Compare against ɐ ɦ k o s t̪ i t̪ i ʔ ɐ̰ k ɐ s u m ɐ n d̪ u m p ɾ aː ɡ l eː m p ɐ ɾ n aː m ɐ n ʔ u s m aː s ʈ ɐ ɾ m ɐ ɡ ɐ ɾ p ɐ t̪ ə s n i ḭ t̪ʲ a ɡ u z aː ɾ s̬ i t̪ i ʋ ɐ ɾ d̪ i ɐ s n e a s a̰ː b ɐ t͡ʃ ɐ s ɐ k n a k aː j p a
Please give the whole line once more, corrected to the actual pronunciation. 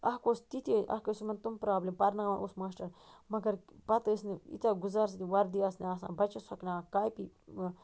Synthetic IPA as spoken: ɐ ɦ k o s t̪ i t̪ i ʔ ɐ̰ k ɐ s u m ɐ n t̪ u m p ɾ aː b l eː m p ɐ ɾ n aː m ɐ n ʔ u s m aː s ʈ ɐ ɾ m ɐ ɡ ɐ ɾ p ɐ t̪ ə s n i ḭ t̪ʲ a ɡ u z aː ɾ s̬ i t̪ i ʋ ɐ ɾ d̪ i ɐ s n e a s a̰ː b ɐ t͡ʃ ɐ s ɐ k n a k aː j p i